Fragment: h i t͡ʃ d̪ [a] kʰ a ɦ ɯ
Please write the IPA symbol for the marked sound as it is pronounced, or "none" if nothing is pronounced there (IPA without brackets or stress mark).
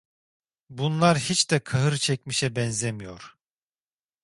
ɛ